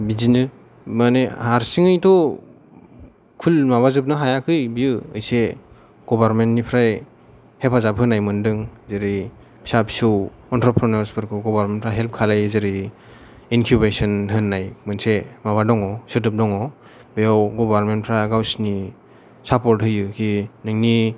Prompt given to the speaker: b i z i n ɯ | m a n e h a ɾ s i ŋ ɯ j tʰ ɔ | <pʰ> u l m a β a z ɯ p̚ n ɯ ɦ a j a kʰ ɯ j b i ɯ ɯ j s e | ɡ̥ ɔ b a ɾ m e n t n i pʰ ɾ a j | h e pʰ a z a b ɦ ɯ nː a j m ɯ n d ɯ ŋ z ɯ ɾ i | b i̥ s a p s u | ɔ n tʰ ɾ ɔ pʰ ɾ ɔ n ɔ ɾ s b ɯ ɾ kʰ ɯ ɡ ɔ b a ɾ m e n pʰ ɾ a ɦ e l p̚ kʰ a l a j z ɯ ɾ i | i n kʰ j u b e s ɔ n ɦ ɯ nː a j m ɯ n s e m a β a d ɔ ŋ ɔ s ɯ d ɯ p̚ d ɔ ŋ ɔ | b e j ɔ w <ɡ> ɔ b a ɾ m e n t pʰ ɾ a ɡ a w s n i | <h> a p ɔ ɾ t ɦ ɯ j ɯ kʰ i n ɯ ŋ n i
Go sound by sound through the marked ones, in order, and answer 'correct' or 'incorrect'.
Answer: incorrect: kʰ, correct, incorrect: s

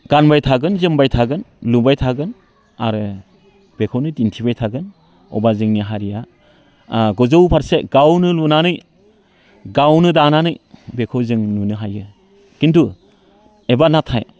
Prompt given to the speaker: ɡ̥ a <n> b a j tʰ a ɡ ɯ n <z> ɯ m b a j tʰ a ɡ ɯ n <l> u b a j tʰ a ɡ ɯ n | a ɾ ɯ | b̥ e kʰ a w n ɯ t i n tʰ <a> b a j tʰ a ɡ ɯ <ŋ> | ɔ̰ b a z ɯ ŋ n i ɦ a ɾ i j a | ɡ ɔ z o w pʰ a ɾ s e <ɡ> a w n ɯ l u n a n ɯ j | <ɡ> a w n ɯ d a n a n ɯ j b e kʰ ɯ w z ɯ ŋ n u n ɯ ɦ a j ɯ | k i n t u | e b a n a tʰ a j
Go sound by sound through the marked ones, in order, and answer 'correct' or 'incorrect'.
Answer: correct, correct, correct, incorrect: i, incorrect: n, correct, correct

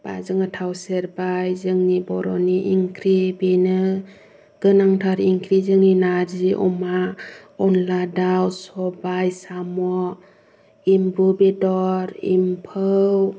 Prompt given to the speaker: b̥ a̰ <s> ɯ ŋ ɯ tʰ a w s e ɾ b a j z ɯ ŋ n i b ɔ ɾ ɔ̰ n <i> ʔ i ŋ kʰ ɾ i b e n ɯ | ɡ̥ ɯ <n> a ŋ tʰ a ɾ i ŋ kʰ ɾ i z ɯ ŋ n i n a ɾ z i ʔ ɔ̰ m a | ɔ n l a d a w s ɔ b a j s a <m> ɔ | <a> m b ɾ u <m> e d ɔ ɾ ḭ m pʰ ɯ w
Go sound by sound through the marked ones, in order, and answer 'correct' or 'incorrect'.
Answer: incorrect: z, correct, correct, correct, incorrect: i, incorrect: b

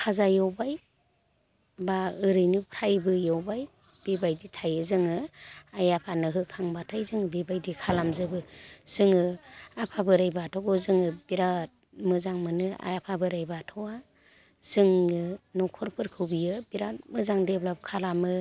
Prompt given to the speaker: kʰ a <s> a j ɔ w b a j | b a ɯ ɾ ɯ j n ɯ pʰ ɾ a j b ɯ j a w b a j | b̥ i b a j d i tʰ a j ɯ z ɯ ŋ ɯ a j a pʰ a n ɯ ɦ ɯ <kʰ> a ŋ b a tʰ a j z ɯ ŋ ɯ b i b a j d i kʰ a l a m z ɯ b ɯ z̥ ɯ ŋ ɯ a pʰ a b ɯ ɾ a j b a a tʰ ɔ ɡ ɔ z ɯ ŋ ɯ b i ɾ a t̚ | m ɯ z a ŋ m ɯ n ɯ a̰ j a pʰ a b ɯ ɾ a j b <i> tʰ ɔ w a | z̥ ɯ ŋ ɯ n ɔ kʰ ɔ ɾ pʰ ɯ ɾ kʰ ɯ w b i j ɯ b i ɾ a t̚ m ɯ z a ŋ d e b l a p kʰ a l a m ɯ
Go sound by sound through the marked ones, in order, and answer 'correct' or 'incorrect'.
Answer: incorrect: z, correct, incorrect: a

